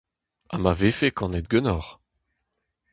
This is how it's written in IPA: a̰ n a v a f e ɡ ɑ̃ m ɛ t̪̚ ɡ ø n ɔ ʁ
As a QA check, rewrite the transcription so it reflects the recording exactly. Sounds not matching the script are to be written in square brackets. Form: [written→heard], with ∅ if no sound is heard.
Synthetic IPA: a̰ [n→m] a v [a→e] f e [ɡ→k] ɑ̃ [m→n] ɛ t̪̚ ɡ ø n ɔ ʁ